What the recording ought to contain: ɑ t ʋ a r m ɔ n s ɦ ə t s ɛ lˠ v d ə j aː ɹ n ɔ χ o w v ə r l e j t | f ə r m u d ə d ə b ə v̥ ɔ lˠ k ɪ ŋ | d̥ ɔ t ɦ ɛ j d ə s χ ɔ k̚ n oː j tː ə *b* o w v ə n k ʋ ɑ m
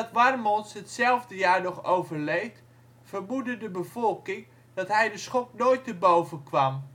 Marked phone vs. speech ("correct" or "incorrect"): correct